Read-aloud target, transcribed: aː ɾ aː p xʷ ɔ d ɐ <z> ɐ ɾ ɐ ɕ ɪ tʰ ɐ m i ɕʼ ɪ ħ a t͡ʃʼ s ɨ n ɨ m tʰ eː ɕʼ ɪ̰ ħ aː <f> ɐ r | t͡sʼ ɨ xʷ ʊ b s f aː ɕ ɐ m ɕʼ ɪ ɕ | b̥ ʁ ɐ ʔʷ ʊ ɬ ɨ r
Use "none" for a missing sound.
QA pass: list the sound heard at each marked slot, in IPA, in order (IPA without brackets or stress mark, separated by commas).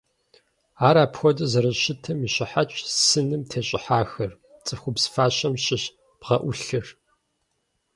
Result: z, x